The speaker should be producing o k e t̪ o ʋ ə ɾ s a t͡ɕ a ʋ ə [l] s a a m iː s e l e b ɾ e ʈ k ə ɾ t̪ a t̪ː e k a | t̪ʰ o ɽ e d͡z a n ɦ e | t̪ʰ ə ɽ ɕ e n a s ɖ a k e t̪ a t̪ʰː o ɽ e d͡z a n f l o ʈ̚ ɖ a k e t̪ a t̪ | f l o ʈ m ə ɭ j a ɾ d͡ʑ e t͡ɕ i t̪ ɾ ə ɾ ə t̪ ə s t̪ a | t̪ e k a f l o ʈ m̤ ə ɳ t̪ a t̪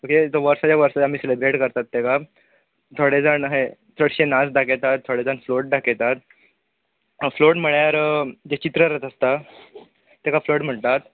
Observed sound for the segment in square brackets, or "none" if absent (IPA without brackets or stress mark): ɾ